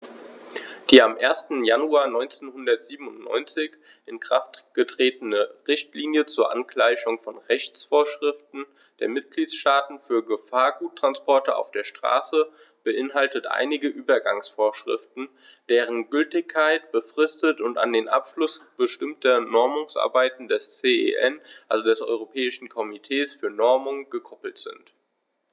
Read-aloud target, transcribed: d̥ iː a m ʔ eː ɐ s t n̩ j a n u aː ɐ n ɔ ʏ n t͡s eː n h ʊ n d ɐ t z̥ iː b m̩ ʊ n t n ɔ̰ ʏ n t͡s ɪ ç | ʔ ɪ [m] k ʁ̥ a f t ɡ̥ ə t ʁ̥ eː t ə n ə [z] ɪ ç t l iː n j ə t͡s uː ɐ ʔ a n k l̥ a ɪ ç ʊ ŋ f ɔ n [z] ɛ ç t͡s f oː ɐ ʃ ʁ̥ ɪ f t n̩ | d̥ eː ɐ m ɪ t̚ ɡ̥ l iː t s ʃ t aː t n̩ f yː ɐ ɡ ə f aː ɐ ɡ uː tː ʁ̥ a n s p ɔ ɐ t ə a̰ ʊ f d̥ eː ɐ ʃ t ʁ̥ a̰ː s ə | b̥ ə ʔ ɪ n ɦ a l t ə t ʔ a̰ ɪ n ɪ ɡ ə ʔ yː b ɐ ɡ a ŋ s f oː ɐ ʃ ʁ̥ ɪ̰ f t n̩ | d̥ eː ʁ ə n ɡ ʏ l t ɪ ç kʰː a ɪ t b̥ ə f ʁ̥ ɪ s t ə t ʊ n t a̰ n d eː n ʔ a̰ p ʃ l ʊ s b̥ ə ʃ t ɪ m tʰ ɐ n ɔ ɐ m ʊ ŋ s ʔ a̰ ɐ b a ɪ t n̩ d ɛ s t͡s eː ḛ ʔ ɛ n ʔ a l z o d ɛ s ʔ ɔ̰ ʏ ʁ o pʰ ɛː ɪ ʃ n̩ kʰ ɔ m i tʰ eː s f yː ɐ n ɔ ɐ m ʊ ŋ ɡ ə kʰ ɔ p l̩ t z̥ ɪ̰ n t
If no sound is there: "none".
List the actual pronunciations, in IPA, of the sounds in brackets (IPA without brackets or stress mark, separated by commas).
n, ʁ, ʁ